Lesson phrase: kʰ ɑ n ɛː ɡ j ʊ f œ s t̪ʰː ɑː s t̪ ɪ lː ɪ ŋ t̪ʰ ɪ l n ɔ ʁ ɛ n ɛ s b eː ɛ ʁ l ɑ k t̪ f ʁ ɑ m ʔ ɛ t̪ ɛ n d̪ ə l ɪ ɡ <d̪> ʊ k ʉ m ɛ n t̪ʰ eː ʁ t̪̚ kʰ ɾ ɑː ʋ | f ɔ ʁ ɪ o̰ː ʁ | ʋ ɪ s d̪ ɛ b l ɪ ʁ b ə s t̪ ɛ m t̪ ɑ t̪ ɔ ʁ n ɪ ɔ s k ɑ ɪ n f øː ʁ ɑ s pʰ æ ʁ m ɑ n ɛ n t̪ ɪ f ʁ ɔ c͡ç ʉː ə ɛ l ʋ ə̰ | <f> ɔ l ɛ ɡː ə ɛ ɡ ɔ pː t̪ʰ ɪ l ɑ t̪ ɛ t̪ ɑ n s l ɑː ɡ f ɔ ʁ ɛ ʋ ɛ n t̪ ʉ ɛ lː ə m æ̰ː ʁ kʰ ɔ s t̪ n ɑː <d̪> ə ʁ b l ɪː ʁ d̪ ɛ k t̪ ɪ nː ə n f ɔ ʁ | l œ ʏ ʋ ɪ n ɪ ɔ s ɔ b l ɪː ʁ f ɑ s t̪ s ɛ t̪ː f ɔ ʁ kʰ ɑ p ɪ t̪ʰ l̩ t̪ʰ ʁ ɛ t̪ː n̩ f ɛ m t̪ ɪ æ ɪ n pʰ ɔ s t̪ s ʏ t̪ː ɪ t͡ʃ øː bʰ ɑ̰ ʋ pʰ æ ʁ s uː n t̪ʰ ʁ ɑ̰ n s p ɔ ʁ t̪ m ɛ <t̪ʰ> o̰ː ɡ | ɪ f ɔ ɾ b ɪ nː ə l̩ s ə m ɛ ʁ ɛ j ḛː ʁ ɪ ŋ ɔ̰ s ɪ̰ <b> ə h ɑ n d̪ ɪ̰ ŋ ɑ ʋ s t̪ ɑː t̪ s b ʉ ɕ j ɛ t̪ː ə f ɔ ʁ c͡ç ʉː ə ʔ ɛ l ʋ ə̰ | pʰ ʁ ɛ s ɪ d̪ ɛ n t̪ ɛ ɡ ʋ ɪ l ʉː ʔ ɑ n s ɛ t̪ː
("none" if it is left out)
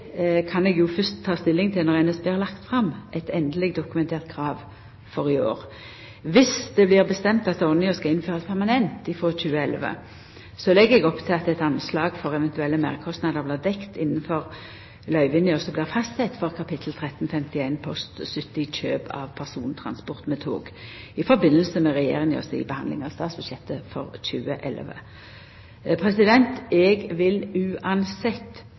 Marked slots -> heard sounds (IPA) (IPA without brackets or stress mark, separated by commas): d̪, s, d̪, t̪ʰ, b